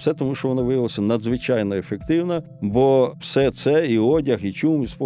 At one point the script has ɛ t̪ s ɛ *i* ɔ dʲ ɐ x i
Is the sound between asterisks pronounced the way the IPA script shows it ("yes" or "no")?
yes